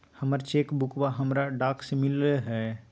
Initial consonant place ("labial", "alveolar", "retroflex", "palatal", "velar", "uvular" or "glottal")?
glottal